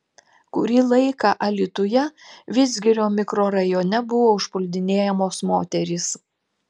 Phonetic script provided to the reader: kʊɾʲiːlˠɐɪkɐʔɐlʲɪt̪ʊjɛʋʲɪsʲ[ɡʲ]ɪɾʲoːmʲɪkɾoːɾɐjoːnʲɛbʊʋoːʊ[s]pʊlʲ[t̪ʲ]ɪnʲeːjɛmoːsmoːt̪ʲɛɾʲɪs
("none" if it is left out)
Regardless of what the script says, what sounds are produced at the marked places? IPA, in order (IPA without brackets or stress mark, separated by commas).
ɡʲ, ʃ, d̪ʲ